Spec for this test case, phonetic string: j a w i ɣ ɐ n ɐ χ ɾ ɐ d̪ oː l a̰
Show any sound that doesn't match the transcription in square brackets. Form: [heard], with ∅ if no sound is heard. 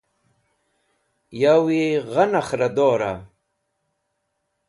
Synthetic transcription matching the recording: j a w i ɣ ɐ n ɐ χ ɾ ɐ d̪ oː [ɾ] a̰